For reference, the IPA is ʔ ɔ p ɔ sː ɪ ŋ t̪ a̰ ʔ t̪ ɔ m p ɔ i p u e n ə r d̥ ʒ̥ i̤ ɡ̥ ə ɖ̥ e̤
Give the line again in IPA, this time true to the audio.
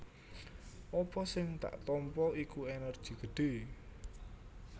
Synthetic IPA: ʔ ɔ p ɔ s ɪ ŋ t̪ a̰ ʔ t̪ ɔ m p ɔ i k u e n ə r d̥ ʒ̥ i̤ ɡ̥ ə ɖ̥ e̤